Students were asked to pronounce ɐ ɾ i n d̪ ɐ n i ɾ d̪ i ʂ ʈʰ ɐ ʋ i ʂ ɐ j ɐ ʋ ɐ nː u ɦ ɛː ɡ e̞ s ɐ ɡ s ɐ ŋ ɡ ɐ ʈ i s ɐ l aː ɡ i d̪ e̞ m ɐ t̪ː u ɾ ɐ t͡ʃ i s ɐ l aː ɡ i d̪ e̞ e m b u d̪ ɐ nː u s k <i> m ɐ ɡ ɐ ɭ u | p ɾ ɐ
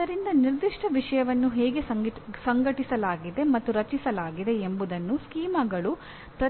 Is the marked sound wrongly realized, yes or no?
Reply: yes